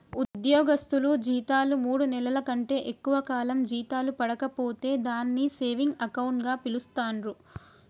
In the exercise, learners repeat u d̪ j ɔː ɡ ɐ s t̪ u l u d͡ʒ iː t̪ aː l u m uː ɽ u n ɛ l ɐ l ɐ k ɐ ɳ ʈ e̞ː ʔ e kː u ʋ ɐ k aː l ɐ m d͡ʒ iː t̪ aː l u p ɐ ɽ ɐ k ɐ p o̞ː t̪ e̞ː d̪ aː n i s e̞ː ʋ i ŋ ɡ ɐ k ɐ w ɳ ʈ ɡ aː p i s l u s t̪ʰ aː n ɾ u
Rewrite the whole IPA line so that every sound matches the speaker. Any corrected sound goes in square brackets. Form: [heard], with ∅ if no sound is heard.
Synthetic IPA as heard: u d̪ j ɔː ɡ ɐ s t̪ u l u d͡ʒ iː t̪ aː l u m uː ɽ u n ɛ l ɐ l ɐ k ɐ ɳ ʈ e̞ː ʔ e kː u ʋ ɐ k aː l ɐ m d͡ʒ iː t̪ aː l u p ɐ ɽ ɐ k ɐ p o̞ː t̪ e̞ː d̪ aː [nː] i s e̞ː ʋ i ŋ ɡ ɐ k ɐ w ɳ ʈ ɡ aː p i [∅] l u s [t̪] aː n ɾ u